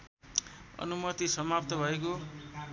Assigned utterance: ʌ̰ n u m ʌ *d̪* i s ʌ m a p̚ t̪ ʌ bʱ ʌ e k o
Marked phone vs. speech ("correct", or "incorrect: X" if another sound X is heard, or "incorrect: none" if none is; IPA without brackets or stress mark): incorrect: t̪